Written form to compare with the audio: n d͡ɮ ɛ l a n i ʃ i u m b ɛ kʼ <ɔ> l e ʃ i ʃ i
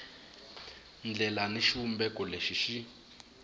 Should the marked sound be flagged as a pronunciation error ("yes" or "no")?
no